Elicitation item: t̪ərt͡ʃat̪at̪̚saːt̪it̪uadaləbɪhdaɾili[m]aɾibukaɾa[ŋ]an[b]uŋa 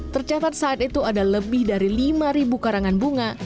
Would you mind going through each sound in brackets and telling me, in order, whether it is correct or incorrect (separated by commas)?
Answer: correct, correct, correct